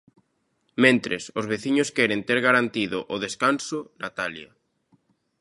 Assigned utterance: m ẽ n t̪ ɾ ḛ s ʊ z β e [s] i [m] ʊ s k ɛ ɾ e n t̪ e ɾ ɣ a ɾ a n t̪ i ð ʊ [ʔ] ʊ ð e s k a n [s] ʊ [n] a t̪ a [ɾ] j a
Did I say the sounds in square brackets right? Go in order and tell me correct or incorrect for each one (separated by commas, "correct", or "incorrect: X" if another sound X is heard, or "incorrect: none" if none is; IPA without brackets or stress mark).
incorrect: θ, incorrect: ɲ, correct, correct, correct, incorrect: l